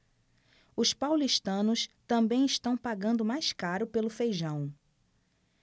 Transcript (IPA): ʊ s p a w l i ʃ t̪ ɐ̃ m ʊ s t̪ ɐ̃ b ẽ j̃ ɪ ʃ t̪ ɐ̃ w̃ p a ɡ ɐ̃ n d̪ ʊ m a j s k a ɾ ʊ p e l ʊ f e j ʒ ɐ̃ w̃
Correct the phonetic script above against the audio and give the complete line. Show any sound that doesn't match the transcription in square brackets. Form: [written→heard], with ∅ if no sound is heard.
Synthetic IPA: ʊ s p a w l i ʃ t̪ ɐ̃ [m→n] ʊ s t̪ ɐ̃ b ẽ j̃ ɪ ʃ t̪ ɐ̃ w̃ p a ɡ ɐ̃ n d̪ ʊ m a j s k a ɾ ʊ p e l ʊ f e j ʒ ɐ̃ w̃